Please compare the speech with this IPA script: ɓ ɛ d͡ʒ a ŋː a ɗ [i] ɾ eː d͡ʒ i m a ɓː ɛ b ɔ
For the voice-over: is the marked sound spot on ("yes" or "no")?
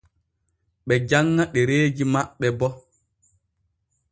no